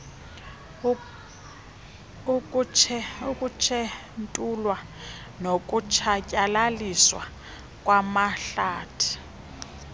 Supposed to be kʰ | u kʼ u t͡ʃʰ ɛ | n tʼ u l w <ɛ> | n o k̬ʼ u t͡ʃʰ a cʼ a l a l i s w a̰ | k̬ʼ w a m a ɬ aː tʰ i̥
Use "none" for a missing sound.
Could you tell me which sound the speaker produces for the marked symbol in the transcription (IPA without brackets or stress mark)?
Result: a